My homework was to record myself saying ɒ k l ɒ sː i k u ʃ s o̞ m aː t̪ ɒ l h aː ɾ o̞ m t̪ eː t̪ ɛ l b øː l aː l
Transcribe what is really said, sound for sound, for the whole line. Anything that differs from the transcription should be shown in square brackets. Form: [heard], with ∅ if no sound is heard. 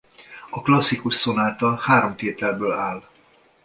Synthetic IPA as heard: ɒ k l ɒ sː i k u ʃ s o̞ [n] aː t̪ ɒ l h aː ɾ o̞ m t̪ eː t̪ ɛ l b øː l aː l